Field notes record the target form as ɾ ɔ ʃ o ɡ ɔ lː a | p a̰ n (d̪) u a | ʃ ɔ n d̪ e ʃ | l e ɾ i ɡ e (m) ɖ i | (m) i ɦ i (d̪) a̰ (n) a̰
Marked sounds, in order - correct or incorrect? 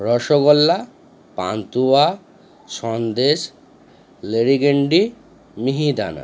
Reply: incorrect, incorrect, correct, correct, correct

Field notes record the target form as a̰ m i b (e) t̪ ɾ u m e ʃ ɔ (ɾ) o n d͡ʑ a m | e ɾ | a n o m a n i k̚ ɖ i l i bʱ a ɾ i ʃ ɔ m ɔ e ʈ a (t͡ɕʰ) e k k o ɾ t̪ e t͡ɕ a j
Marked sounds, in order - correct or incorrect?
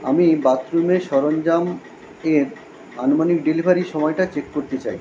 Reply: incorrect, correct, incorrect

